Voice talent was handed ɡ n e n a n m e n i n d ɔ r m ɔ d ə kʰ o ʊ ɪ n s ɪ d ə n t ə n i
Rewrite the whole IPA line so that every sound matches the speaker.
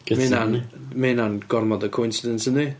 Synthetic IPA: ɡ m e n a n m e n a n ɡ ɔ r m ɔ d ə kʰ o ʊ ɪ n s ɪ d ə n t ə n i